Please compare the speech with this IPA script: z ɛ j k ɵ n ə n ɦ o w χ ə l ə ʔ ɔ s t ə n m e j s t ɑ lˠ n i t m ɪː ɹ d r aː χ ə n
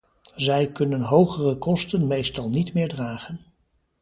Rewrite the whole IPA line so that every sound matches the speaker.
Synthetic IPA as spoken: z ɛ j k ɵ n ə n ɦ o w χ ə r ə k ɔ s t ə n m e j s t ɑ lˠ n i t m ɪː ɹ d r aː χ ə n